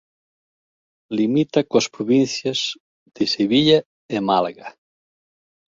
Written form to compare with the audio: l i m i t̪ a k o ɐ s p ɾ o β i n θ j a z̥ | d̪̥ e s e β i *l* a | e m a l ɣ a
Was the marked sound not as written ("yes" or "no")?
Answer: yes